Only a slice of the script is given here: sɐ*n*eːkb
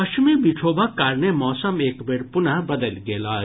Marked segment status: incorrect: m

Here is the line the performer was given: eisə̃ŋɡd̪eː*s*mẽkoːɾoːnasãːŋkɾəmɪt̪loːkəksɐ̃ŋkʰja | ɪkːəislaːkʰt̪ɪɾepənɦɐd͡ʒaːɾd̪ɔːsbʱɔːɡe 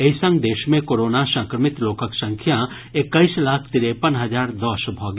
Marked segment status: incorrect: ʃ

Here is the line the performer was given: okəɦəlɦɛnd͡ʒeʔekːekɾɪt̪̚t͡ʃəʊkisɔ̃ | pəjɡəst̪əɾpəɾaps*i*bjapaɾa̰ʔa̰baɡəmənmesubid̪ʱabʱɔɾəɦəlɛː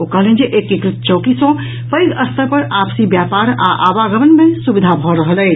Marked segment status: correct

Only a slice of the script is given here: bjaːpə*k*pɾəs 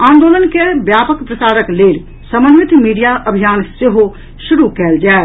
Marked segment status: correct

